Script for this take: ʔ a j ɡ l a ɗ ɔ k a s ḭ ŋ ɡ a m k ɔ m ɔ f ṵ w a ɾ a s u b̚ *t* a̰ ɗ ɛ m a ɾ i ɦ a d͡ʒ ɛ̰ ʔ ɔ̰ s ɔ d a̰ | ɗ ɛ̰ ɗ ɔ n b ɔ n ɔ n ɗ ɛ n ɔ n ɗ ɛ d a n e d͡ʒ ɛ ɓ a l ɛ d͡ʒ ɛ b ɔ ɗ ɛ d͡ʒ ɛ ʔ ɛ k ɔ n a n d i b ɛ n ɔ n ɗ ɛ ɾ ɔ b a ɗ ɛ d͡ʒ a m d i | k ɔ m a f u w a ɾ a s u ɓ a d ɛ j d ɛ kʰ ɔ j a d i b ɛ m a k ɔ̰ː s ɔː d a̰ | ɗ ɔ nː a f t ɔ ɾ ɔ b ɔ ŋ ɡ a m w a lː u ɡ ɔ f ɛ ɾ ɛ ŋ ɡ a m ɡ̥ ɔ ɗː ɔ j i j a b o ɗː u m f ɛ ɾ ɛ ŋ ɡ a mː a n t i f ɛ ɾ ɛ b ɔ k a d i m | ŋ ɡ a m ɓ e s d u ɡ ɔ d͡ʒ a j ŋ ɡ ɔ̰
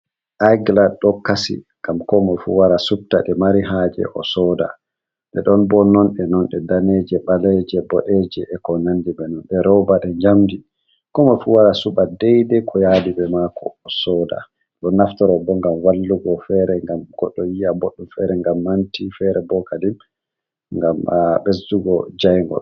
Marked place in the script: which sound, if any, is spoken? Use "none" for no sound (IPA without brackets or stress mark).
t